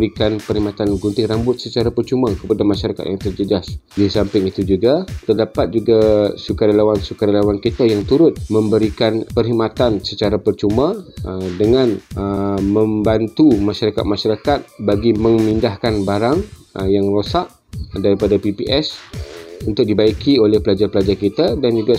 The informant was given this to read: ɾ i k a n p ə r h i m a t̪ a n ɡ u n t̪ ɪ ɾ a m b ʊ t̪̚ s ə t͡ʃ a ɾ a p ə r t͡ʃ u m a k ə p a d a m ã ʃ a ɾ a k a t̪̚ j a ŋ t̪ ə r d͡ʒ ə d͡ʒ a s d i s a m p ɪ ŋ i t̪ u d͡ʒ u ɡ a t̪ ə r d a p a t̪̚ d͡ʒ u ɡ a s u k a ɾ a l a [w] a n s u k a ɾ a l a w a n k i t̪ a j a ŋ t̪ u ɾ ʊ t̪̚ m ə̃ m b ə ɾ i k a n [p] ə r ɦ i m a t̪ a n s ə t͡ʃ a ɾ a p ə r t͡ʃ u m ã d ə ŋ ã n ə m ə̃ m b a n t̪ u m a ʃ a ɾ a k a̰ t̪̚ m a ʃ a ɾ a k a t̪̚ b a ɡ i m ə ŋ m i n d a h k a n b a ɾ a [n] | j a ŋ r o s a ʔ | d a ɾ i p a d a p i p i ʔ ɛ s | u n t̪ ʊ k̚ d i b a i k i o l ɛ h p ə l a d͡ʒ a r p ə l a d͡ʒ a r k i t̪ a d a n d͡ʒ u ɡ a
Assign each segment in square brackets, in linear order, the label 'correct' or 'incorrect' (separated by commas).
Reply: correct, correct, incorrect